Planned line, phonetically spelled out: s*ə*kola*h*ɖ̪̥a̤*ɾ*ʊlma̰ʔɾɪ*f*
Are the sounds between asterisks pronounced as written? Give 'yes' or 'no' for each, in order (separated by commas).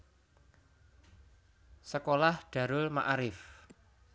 yes, yes, yes, yes